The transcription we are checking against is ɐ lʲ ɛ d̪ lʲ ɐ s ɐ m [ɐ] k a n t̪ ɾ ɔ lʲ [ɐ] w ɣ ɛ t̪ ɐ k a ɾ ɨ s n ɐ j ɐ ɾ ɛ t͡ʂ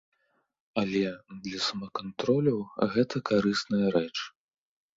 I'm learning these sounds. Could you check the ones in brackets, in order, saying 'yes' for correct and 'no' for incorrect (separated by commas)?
yes, yes